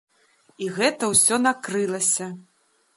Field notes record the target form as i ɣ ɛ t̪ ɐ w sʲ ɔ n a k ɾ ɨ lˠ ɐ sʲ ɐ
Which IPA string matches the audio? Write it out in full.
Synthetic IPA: i ɣ ɛ t̪ ɐ w sʲ ɔ n a k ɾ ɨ lˠ ɐ sʲ ɐ